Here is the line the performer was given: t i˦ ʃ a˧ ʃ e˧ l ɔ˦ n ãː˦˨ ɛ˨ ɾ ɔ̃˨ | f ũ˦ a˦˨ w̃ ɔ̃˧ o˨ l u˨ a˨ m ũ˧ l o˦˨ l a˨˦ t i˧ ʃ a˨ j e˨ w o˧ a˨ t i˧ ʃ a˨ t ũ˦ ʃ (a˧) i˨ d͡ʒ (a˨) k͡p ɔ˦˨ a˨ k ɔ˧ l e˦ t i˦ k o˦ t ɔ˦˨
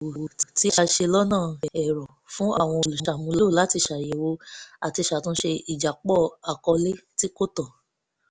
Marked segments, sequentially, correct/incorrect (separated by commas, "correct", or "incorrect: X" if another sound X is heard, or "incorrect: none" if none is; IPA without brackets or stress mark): incorrect: e˧, correct